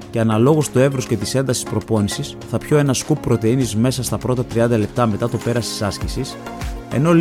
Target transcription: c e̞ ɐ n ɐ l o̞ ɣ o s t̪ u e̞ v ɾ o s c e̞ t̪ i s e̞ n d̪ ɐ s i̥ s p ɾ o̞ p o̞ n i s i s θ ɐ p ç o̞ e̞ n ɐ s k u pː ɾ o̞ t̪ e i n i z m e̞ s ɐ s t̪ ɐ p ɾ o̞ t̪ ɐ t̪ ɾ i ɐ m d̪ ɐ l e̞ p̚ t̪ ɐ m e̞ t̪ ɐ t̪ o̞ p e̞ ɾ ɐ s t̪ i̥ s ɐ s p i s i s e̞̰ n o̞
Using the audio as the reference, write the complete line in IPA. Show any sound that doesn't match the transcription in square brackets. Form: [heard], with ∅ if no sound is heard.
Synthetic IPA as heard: c e̞ ɐ n ɐ l o̞ ɣ o s t̪ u e̞ v ɾ o s c e̞ t̪ i s e̞ n d̪ ɐ s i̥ s p ɾ o̞ p o̞ n i s i s θ ɐ p ç o̞ e̞ n ɐ s k u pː ɾ o̞ t̪ e i n i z m e̞ s ɐ s t̪ ɐ p ɾ o̞ t̪ ɐ t̪ ɾ i ɐ [n] d̪ ɐ l e̞ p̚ t̪ ɐ m e̞ t̪ ɐ t̪ o̞ p e̞ ɾ ɐ s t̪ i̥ s ɐ s [c] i s i s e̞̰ n o̞